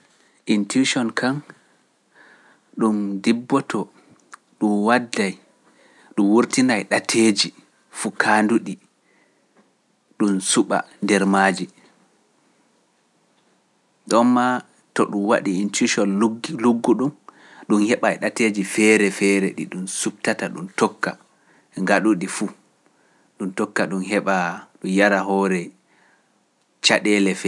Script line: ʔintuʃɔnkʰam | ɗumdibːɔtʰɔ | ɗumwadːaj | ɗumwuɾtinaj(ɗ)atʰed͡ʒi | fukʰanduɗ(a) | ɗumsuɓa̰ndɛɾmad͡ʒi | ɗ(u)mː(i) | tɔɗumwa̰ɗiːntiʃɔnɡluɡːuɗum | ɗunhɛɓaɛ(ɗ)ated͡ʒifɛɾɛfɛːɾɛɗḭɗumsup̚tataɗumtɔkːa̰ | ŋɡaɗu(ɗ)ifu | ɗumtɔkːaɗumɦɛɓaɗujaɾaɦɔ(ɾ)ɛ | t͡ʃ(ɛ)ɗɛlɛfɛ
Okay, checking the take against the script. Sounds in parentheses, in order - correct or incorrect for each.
correct, incorrect, incorrect, incorrect, correct, correct, correct, incorrect

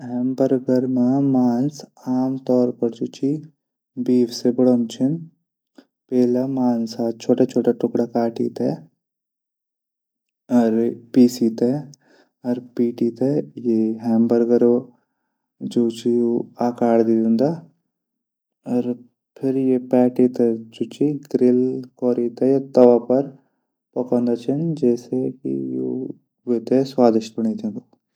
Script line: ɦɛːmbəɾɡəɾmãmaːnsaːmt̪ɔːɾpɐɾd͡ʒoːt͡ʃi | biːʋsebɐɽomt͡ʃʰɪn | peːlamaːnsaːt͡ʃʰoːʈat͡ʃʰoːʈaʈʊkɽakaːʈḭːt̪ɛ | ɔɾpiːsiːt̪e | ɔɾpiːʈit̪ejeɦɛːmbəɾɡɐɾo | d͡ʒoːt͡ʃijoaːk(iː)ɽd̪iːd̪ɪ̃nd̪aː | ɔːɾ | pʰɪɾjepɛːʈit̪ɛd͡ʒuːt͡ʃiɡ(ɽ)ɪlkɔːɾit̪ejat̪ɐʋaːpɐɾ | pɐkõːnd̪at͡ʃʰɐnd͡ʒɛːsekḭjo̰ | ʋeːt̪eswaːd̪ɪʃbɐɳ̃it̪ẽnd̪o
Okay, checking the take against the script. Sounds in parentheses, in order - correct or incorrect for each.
incorrect, incorrect

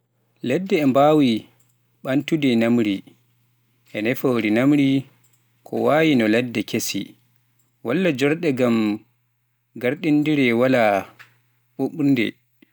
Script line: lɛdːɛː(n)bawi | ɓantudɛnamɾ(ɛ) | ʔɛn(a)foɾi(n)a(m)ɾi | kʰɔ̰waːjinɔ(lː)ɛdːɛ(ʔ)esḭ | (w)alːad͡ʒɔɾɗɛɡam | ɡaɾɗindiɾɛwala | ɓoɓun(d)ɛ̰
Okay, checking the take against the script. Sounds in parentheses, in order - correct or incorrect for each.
incorrect, incorrect, incorrect, correct, correct, incorrect, incorrect, correct, correct

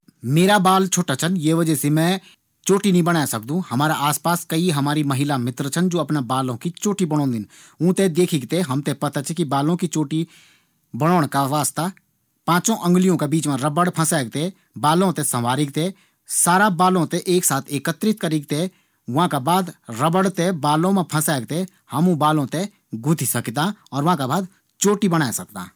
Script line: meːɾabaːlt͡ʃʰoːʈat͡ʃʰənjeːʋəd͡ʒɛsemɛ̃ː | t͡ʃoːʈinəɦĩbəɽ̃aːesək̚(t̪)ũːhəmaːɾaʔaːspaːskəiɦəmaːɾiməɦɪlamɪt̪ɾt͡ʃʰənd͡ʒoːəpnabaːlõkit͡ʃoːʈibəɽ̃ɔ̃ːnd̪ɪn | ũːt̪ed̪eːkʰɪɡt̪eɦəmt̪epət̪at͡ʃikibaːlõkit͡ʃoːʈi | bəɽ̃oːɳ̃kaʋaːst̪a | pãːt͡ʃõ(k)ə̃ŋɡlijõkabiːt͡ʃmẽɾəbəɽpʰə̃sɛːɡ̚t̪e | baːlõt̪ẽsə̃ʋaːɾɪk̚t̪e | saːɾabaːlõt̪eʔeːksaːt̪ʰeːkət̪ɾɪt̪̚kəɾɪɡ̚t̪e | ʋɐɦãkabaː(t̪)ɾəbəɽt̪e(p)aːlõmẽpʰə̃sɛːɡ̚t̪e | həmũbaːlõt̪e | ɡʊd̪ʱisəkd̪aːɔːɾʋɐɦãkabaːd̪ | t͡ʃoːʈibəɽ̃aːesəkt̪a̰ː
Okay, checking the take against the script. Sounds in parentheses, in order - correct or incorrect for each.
incorrect, incorrect, incorrect, incorrect

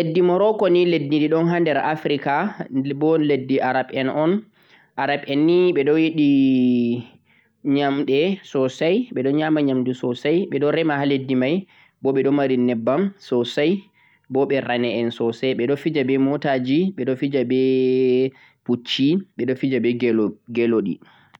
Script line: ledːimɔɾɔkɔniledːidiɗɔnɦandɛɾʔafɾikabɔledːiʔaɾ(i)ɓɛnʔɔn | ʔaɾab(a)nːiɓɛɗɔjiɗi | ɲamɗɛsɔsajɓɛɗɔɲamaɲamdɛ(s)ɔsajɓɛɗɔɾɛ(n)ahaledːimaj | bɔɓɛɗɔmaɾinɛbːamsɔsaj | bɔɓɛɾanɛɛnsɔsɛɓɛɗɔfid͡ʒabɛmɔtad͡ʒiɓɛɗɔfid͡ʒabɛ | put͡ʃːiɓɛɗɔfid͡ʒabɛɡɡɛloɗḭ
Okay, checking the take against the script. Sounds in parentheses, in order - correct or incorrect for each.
incorrect, incorrect, correct, incorrect

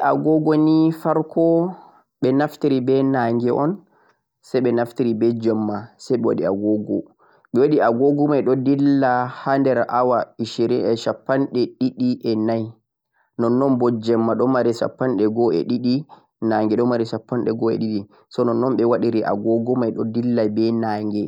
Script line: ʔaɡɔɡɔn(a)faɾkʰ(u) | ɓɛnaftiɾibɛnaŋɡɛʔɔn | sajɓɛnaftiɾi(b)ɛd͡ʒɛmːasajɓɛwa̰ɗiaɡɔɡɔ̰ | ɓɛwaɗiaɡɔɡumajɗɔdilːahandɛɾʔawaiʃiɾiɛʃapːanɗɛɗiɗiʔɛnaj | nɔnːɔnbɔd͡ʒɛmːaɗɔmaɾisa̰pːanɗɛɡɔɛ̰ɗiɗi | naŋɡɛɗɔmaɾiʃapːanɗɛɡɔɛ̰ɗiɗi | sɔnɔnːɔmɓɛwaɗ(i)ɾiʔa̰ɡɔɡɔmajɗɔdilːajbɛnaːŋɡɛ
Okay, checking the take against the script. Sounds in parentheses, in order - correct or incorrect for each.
incorrect, incorrect, correct, correct

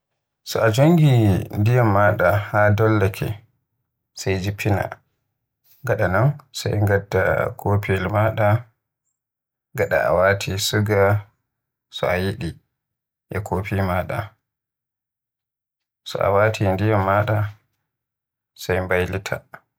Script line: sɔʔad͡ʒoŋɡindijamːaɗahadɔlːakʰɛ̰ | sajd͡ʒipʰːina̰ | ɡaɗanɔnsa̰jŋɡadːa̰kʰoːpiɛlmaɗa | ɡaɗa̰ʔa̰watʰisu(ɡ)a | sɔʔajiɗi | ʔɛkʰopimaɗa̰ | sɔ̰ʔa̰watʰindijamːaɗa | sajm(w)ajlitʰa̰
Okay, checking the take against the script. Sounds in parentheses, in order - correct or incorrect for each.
correct, incorrect

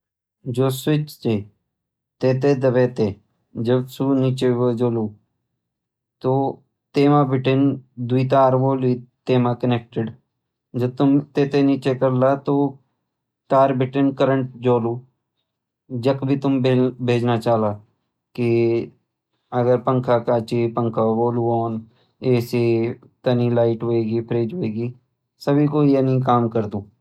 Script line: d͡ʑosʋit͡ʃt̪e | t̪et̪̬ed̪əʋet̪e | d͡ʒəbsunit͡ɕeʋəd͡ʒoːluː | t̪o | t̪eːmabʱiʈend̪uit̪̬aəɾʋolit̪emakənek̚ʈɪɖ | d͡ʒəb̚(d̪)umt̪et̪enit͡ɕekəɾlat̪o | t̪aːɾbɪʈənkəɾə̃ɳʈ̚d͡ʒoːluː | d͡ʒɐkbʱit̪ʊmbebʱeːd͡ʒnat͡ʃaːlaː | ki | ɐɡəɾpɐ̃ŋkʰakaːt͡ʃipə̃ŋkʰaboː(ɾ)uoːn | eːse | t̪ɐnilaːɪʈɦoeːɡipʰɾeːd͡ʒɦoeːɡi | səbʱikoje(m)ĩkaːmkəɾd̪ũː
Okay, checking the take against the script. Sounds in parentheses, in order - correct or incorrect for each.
incorrect, incorrect, incorrect

